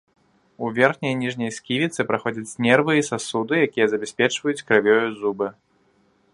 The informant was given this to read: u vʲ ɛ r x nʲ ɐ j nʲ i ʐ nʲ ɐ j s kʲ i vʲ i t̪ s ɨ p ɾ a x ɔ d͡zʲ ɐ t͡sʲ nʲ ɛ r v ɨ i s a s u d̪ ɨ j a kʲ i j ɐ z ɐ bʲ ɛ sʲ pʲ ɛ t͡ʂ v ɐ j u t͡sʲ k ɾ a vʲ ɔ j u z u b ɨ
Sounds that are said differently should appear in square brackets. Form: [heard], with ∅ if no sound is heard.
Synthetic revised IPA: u vʲ ɛ r x nʲ ɐ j nʲ i ʐ nʲ ɐ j s kʲ i vʲ i t̪ s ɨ p ɾ a x ɔ d͡zʲ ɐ t͡sʲ nʲ ɛ r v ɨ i s a s u d̪ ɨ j a kʲ i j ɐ z ɐ bʲ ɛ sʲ pʲ ɛ t͡ʂ v ɐ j u t͡sʲ k ɾ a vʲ ɔ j u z u b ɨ